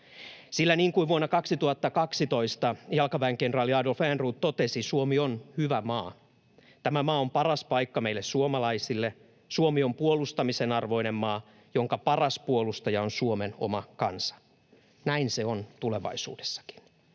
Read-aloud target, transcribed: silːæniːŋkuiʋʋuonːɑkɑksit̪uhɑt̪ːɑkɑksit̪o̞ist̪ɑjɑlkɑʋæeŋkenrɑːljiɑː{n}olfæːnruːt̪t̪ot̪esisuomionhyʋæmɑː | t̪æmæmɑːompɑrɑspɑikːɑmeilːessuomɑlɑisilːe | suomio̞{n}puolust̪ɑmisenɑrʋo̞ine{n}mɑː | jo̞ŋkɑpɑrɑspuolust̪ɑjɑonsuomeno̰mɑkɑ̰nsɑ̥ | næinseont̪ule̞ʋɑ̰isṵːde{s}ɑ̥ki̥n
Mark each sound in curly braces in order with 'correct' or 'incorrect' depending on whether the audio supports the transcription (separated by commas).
incorrect, incorrect, incorrect, incorrect